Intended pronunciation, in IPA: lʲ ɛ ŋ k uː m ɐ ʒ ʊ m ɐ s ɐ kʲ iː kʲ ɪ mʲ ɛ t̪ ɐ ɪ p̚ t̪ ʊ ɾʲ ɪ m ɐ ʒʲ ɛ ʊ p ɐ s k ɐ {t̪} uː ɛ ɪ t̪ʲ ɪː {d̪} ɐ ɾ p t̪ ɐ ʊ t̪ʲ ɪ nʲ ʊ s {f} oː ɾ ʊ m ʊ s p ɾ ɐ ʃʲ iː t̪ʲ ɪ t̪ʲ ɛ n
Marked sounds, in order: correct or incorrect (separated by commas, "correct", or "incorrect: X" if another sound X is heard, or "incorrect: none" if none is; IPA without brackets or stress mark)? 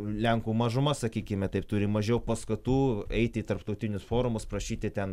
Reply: correct, incorrect: t̪, correct